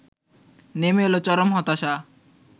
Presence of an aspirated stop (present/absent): absent